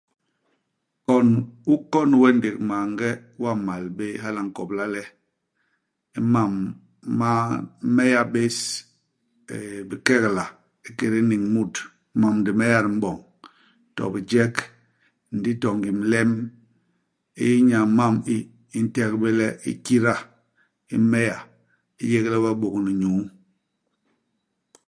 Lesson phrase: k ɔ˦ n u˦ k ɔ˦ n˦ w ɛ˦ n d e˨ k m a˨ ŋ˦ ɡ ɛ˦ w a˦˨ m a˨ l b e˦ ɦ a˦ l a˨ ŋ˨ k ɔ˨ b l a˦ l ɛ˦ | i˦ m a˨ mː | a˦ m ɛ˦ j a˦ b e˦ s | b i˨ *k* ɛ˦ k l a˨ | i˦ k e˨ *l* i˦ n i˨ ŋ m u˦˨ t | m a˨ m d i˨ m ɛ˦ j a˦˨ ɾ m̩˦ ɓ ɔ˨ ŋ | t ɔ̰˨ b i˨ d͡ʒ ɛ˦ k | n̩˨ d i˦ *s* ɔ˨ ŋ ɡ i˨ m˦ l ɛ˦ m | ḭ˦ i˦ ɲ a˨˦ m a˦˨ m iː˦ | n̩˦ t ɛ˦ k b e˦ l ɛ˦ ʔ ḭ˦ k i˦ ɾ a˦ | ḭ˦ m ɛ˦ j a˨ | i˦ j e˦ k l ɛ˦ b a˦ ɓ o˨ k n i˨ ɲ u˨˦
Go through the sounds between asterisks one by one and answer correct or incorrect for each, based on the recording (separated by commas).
correct, incorrect, incorrect